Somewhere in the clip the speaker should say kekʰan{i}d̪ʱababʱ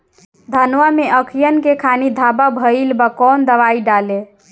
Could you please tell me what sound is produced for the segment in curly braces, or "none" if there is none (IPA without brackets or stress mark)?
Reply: i